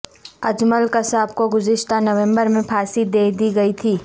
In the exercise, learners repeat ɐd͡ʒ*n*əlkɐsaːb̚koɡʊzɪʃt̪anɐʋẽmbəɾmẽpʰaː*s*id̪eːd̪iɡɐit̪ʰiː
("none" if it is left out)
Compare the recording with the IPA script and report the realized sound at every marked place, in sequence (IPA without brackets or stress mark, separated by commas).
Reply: m, s